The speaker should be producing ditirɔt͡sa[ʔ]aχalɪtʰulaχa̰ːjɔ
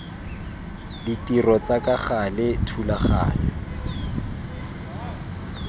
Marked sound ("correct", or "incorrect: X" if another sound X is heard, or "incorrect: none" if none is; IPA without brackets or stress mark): incorrect: k